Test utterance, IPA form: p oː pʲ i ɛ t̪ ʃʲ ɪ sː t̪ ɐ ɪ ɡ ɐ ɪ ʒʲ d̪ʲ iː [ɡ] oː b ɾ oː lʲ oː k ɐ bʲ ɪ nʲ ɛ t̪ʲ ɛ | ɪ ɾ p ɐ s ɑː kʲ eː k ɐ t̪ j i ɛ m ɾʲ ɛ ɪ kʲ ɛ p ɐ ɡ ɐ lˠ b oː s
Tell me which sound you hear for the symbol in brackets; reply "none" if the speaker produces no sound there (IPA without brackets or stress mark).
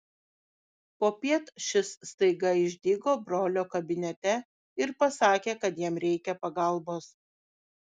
ɡ